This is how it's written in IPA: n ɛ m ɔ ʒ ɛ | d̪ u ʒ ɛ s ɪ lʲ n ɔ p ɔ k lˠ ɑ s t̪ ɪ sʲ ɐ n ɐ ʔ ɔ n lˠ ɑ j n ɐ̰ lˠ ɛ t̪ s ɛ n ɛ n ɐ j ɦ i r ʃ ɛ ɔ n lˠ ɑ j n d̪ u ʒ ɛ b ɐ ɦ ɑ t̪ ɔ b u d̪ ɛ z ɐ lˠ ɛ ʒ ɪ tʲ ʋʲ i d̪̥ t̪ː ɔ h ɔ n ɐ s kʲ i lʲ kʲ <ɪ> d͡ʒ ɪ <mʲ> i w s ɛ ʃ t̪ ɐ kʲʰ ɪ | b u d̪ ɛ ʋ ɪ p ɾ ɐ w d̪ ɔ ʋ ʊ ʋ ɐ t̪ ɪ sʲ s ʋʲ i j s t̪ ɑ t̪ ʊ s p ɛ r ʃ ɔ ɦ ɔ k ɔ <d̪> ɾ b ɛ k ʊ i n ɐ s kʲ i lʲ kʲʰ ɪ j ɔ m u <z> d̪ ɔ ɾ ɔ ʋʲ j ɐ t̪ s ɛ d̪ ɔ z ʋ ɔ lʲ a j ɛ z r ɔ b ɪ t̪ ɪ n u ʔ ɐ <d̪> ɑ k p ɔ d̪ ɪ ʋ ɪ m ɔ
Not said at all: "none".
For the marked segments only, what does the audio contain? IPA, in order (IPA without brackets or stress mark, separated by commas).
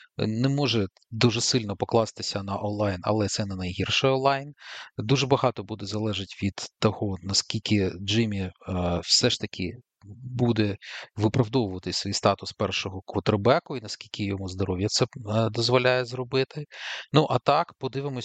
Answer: ɪ, mʲ, t̪, z, t̪